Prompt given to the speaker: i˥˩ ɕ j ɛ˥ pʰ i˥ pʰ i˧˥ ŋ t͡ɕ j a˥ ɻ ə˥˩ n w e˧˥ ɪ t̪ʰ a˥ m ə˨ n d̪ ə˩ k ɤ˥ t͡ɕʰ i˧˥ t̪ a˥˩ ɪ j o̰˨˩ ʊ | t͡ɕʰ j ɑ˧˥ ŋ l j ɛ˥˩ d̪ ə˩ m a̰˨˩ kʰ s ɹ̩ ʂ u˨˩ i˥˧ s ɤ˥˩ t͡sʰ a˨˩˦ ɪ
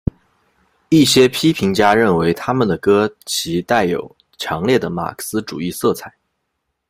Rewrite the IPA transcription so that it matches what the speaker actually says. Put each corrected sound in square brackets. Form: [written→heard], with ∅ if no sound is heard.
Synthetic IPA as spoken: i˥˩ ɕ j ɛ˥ pʰ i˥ pʰ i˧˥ ŋ t͡ɕ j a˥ ɻ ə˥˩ n w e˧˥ ɪ t̪ʰ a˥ m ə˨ n d̪ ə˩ k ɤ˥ t͡ɕʰ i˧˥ t̪ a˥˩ ɪ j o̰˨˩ ʊ | t͡ɕʰ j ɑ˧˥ ŋ l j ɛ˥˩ d̪ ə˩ m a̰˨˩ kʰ s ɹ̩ [ʂ→ʈ͡ʂ] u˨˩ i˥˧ s ɤ˥˩ t͡sʰ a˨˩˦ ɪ